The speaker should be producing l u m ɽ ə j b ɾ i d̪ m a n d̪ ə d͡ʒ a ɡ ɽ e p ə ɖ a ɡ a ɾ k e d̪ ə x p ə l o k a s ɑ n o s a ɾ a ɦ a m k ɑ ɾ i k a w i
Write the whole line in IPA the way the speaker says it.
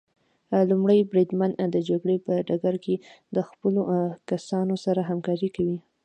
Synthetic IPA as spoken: l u m ɽ ə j b ɾ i d̪ m a n d̪ ə d͡ʒ a ɡ ɽ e p ə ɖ a ɡ a ɾ k e d̪ ə x p ə l o k a s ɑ n o s a ɾ a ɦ a m k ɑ ɾ i k a w i